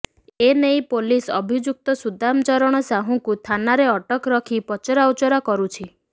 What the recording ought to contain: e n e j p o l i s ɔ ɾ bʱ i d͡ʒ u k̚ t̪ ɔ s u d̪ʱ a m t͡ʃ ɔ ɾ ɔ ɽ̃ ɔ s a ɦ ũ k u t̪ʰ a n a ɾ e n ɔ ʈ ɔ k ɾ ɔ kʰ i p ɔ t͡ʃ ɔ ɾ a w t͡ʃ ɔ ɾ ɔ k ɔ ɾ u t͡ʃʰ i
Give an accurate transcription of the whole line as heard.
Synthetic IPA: e n e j p o l i s ɔ bʱ i d͡ʒ u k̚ t̪ ɔ s u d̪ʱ a m t͡ʃ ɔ ɾ ɔ ɽ̃ ɔ s a ɦ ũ k u t̪ʰ a n a ɾ e ɔ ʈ ɔ k ɾ ɔ kʰ i p ɔ t͡ʃ ɔ ɾ a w t͡ʃ ɔ ɾ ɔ k ɔ ɾ u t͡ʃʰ i